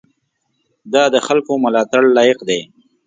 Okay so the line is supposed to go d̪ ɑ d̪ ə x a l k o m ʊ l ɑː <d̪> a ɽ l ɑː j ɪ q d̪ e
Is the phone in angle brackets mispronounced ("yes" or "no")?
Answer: yes